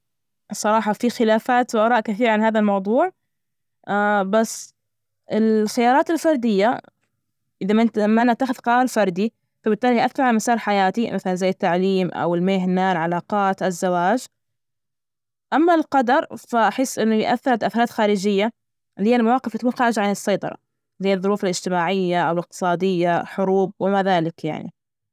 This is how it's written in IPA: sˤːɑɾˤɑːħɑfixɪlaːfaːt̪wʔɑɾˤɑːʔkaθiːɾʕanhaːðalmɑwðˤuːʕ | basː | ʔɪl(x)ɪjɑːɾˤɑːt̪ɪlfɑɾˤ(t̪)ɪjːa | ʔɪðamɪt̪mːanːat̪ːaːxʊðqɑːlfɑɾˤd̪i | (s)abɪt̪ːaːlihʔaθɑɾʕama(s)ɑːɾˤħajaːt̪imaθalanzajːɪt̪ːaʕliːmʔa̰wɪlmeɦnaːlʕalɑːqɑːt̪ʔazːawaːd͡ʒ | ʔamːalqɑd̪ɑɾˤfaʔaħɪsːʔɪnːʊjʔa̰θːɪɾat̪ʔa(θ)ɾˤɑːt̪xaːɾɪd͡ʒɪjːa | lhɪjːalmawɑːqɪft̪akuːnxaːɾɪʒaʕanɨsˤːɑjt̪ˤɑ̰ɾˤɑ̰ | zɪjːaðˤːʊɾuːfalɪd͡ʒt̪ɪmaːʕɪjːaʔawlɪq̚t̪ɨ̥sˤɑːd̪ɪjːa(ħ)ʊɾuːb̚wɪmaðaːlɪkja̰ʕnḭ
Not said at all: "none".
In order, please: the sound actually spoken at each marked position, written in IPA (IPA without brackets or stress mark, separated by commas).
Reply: x, d̪, f, s, θ, ħ